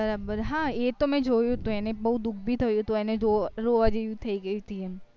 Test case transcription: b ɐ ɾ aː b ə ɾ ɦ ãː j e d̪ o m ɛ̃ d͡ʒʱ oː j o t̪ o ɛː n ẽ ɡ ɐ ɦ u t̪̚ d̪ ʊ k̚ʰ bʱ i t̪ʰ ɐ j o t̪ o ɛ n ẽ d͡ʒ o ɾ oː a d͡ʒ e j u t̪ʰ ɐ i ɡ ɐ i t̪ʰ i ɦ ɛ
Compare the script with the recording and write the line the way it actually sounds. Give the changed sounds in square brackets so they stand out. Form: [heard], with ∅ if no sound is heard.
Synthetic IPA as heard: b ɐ ɾ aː b ə ɾ ɦ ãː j e [t̪] o m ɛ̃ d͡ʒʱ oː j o t̪ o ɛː n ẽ [b] ɐ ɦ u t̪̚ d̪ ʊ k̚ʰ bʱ i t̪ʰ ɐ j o t̪ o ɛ n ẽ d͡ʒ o ɾ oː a d͡ʒ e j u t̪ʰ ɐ i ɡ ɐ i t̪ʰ i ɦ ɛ